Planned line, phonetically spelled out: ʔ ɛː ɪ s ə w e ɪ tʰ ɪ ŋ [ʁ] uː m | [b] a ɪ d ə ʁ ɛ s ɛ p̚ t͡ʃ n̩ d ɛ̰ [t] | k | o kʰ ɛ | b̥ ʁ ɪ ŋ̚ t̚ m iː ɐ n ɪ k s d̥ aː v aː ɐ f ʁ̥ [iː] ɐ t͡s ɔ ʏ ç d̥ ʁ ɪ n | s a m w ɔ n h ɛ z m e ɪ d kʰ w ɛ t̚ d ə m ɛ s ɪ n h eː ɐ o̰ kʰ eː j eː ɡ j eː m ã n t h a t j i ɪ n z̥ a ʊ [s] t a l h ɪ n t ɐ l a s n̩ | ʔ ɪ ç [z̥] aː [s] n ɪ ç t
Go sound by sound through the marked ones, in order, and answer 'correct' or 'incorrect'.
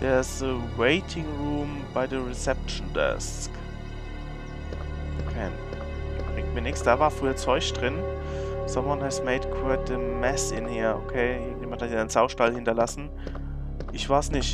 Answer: correct, correct, incorrect, incorrect, incorrect, incorrect, correct

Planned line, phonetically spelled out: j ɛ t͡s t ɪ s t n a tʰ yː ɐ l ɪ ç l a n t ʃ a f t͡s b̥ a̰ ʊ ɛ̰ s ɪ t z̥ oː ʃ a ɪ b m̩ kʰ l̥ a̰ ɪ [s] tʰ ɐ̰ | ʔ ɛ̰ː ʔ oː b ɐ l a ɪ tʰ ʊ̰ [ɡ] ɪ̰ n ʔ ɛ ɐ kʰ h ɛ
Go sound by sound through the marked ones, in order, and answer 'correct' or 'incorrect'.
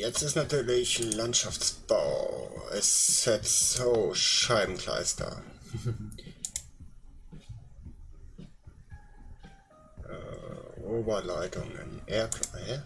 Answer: correct, incorrect

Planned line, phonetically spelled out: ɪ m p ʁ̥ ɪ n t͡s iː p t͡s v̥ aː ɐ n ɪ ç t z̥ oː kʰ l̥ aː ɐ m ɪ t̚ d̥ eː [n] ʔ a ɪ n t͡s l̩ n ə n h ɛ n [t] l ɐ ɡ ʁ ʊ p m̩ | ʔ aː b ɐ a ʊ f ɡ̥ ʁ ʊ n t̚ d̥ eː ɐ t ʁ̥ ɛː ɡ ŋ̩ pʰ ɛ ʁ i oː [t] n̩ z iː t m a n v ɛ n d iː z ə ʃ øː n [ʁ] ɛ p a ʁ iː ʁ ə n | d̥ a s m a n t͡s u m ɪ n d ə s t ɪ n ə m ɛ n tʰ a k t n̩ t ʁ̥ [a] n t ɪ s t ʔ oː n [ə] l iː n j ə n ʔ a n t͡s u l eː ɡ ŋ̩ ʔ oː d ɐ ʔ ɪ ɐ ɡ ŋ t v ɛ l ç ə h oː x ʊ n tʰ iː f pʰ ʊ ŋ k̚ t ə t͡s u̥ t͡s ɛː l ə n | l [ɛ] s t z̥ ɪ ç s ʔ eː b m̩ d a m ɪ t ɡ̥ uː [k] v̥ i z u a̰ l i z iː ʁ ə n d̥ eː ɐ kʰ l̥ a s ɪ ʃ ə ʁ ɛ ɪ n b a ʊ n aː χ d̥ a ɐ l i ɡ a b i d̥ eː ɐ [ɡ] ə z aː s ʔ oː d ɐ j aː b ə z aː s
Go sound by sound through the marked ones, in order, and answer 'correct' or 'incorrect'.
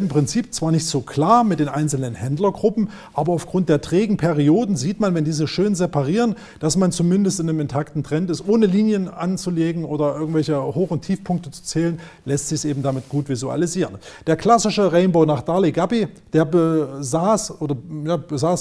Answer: correct, incorrect, incorrect, incorrect, incorrect, correct, correct, incorrect, incorrect

